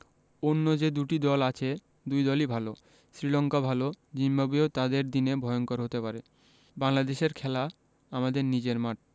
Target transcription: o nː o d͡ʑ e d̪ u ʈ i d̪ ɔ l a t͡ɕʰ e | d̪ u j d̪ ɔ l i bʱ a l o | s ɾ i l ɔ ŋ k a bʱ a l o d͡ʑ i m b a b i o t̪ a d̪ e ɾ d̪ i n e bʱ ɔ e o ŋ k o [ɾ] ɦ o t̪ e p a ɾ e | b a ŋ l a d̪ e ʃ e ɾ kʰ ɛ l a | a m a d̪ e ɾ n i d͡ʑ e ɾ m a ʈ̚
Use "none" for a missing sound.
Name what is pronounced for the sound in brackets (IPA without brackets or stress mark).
ɾ